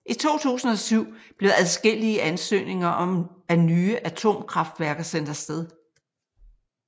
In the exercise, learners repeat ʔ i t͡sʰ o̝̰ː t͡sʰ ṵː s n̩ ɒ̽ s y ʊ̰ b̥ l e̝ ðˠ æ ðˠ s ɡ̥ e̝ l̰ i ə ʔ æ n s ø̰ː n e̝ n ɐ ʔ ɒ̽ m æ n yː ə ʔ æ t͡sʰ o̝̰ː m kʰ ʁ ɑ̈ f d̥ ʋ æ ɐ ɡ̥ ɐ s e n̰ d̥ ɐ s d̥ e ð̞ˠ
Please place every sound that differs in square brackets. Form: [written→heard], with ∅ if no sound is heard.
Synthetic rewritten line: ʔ i t͡sʰ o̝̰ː t͡sʰ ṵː s n̩ ɒ̽ s y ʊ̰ b̥ l e̝ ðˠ æ ðˠ s ɡ̥ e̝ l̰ i ə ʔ æ n s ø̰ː n e̝ [n→ŋ] ɐ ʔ ɒ̽ m æ n yː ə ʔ æ t͡sʰ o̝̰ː m kʰ ʁ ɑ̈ f d̥ ʋ æ ɐ ɡ̥ ɐ s e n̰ d̥ ɐ s d̥ e ð̞ˠ